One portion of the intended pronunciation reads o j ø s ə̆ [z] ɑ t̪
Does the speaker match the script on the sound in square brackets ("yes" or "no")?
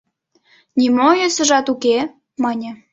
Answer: no